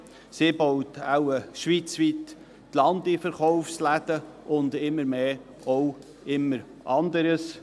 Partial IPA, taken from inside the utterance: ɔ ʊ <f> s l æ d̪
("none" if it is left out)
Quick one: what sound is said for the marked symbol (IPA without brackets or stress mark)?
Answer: f